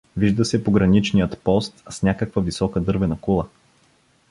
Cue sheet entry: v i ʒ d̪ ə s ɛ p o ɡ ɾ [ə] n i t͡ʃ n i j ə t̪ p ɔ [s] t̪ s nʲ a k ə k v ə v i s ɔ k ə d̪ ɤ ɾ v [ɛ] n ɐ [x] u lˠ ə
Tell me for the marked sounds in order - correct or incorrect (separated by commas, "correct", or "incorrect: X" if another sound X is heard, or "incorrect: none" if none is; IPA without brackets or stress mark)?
incorrect: ɐ, correct, correct, incorrect: k